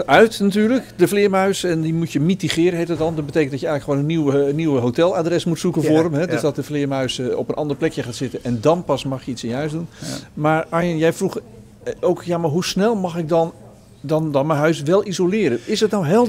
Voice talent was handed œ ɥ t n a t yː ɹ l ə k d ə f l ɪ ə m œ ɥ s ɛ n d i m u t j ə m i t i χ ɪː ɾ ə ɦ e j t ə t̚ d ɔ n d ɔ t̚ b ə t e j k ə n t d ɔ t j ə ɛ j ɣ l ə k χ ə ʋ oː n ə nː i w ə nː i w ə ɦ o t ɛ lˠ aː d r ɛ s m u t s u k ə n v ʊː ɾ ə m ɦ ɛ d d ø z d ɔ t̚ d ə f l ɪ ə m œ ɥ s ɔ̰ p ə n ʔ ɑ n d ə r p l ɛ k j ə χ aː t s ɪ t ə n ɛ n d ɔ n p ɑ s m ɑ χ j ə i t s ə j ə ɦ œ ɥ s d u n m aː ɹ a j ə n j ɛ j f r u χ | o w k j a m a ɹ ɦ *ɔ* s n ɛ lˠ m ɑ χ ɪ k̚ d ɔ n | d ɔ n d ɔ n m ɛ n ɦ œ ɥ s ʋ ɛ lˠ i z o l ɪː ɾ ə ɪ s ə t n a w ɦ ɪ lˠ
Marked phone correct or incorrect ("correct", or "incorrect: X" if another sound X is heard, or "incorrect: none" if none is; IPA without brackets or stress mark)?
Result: incorrect: u